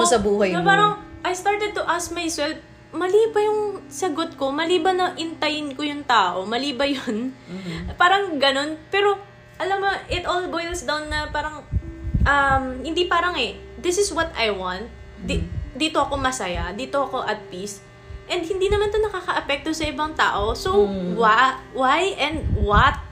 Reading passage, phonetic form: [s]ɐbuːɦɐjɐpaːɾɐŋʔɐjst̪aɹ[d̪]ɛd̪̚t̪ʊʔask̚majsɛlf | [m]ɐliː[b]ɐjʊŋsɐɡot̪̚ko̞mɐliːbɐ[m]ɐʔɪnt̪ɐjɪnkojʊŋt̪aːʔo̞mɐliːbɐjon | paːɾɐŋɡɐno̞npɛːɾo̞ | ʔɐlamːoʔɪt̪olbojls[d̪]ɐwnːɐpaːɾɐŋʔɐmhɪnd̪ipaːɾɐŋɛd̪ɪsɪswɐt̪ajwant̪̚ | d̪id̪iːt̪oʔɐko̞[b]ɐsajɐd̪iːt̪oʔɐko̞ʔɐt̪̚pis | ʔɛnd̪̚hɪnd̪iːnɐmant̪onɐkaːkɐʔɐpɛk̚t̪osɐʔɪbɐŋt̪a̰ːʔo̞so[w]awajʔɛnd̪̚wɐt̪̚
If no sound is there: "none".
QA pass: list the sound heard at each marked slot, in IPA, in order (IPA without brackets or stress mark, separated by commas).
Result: s, t̪, m, b, n, d̪, m, w